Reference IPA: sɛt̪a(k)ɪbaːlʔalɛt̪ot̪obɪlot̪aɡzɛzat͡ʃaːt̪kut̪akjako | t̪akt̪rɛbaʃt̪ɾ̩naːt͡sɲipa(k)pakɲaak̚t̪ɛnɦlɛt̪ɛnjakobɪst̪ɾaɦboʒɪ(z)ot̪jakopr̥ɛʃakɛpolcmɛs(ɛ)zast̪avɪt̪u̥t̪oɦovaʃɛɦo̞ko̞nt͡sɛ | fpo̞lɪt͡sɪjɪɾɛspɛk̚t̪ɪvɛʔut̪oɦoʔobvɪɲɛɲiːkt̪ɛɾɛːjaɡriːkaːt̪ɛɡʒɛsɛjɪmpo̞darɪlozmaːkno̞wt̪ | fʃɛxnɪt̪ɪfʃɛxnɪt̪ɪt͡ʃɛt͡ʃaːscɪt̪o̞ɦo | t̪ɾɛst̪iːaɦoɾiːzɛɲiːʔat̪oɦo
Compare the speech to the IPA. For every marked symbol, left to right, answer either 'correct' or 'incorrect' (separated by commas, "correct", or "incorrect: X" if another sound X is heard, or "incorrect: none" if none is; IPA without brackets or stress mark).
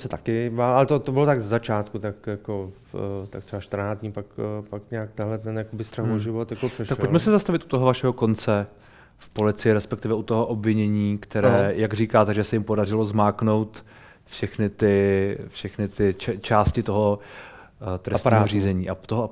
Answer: correct, correct, incorrect: v, correct